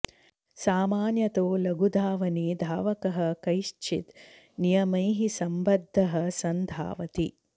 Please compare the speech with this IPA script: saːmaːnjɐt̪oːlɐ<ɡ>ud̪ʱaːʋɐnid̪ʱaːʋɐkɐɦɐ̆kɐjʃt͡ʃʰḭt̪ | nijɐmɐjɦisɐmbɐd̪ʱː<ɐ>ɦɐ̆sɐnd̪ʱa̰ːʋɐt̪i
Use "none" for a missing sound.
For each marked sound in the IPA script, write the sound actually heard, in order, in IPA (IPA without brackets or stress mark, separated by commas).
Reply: ɡ, ɐ